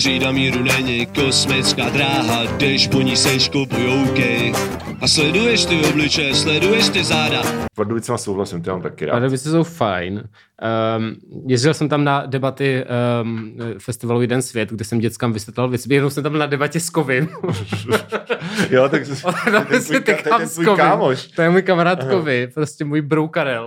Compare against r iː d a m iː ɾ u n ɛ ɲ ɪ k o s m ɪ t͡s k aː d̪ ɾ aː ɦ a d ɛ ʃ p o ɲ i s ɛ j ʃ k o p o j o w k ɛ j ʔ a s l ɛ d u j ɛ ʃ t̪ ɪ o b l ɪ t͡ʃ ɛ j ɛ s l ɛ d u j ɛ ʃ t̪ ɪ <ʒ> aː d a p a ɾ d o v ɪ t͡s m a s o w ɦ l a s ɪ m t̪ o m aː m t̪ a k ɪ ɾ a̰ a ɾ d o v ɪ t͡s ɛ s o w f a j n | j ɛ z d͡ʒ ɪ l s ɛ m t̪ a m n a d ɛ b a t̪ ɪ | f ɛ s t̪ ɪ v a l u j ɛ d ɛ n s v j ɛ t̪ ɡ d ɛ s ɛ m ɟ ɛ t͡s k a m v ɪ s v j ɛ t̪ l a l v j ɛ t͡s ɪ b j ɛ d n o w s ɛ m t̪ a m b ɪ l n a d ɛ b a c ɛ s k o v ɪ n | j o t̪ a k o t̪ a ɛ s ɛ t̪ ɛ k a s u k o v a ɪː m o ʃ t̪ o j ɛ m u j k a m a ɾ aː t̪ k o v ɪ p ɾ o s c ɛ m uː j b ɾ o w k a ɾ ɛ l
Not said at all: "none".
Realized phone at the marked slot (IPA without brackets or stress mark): z